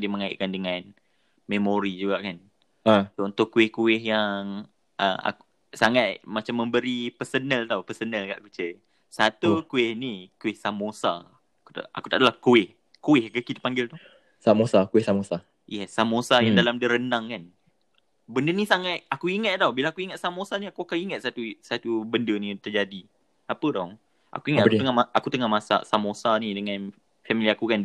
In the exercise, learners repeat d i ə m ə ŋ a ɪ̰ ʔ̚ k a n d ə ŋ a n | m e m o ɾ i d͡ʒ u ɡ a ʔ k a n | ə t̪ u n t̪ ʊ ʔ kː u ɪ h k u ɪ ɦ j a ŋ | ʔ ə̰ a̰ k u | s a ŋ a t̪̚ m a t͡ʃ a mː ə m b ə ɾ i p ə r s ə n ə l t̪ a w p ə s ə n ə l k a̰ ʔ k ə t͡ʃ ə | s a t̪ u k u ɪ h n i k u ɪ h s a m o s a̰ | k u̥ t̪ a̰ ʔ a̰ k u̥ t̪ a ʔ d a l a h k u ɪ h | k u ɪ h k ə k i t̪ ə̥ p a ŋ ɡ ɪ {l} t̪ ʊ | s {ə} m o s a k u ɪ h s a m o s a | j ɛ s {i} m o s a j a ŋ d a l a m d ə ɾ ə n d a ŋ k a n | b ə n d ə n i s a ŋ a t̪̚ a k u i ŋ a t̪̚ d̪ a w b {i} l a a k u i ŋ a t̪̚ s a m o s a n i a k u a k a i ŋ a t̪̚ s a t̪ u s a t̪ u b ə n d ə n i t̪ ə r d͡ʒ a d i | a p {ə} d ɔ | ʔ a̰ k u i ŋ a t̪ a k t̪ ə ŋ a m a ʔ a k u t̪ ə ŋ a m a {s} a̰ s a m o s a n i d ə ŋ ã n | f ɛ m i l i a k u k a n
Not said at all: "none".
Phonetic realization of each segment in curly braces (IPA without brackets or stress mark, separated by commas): l, a, a, i, ə, s